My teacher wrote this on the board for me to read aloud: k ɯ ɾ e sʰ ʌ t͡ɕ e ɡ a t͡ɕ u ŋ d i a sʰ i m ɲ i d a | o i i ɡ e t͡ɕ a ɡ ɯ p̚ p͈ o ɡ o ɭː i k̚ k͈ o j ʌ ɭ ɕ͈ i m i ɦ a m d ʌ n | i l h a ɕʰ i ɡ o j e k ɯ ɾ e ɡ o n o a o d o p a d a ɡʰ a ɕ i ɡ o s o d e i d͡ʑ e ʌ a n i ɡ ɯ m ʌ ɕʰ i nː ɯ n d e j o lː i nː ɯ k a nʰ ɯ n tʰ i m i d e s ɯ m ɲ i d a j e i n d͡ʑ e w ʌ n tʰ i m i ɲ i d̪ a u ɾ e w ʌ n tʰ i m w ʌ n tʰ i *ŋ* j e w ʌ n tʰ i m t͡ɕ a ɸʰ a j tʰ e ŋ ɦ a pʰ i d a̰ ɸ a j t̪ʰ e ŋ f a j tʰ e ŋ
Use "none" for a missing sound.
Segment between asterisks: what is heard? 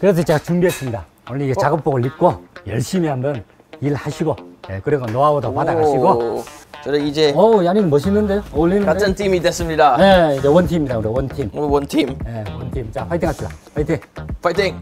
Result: m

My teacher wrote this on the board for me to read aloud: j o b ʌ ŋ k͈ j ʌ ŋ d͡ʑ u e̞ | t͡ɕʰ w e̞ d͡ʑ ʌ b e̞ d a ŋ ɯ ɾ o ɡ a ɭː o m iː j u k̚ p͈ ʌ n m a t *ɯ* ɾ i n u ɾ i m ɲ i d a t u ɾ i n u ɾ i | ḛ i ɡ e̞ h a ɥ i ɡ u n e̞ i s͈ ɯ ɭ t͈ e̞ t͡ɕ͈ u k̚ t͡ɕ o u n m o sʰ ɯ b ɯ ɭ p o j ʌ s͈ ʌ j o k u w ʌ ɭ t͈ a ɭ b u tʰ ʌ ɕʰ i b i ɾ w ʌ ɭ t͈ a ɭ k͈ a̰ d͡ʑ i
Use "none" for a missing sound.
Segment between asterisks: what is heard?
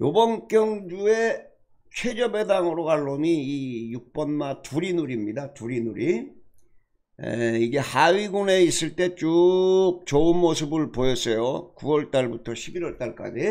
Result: u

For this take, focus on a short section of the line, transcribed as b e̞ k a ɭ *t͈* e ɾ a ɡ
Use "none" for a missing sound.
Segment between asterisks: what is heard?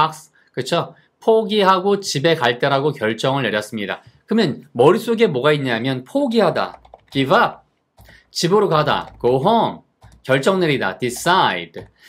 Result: t͈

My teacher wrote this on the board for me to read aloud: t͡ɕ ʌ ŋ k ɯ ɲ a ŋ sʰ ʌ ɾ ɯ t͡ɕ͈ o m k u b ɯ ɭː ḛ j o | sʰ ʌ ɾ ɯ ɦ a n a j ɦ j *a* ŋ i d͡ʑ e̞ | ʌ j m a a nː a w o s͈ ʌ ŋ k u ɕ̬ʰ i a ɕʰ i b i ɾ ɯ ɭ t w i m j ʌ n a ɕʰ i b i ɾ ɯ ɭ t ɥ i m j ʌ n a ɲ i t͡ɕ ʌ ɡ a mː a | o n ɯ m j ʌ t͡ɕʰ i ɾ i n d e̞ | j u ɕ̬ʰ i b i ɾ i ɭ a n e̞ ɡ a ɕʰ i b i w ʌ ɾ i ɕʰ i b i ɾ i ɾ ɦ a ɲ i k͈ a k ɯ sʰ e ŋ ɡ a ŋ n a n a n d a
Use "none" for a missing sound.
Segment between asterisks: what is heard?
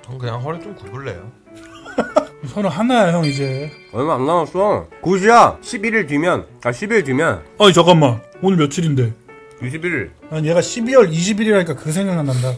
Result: ʌ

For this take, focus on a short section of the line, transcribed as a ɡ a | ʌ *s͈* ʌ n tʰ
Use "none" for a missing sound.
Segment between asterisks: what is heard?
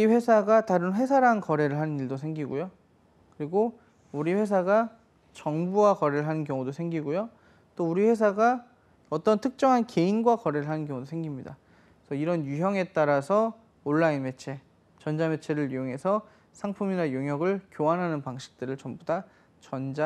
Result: t͈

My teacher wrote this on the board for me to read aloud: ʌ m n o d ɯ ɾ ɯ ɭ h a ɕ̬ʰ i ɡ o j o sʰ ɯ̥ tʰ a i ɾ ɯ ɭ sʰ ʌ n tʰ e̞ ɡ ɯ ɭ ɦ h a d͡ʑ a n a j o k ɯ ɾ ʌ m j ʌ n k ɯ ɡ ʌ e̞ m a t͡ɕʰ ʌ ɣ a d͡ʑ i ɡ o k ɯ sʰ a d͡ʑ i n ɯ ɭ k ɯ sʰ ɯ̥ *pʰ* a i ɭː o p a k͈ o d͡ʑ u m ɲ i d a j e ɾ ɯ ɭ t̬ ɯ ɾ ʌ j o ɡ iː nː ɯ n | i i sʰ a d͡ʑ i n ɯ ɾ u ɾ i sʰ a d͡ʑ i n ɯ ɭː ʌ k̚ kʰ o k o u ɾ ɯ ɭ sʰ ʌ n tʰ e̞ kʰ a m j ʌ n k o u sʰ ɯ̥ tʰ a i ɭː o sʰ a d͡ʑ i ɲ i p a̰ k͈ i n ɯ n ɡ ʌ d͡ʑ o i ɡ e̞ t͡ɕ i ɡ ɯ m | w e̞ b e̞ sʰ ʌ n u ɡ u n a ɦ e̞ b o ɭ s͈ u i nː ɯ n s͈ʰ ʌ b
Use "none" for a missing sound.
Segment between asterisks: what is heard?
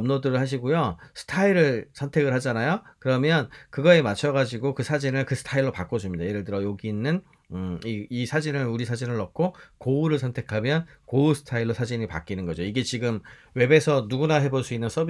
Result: tʰ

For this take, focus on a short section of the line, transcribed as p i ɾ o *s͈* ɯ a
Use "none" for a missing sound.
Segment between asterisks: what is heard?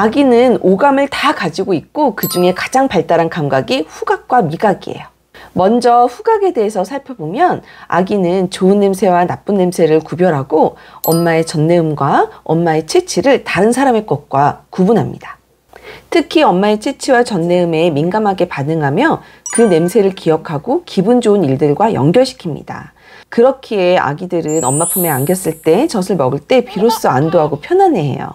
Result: s͈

